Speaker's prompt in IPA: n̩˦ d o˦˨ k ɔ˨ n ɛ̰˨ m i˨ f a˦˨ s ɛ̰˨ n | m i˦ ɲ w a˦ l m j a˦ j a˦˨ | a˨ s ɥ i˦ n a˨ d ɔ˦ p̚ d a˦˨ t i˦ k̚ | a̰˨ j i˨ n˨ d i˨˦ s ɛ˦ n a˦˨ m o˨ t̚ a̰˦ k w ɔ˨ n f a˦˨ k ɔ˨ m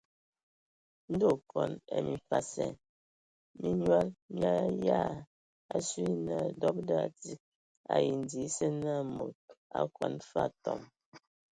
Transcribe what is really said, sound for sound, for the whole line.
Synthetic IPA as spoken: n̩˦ d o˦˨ k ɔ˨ n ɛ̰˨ m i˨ f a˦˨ s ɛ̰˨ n | m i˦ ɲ w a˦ l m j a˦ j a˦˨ | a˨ s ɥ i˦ n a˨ d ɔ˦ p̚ d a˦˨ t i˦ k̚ | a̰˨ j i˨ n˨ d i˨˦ s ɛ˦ n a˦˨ m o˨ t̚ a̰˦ k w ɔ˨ n f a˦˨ t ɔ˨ m